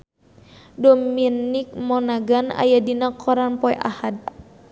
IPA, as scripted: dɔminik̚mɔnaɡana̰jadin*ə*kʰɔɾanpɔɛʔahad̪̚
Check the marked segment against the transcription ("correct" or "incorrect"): incorrect